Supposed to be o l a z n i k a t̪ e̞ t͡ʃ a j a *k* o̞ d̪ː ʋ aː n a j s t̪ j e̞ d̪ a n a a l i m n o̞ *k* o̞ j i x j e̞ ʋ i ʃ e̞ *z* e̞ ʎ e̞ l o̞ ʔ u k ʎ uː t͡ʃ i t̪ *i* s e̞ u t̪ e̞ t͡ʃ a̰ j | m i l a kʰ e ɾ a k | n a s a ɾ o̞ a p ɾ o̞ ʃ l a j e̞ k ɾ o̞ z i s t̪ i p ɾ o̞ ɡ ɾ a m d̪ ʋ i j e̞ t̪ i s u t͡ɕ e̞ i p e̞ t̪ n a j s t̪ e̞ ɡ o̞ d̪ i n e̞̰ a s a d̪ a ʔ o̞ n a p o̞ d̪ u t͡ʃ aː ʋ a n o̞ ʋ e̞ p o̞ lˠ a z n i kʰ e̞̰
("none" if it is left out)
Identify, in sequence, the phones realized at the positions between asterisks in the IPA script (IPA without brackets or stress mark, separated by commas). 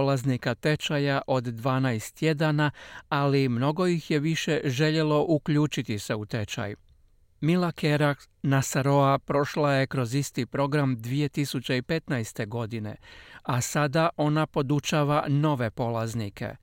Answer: ʔ, ɡ, ʒ, i